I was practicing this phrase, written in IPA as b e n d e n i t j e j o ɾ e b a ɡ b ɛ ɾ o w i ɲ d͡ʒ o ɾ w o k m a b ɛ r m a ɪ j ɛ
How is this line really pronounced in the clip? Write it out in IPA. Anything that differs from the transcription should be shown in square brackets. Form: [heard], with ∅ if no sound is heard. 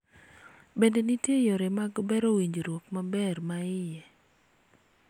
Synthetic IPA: b e n d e n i t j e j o ɾ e [m] a ɡ b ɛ ɾ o w i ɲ d͡ʒ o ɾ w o k m a b ɛ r m a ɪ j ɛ